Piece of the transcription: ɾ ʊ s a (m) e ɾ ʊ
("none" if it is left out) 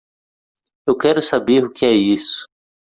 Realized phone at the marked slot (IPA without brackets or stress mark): b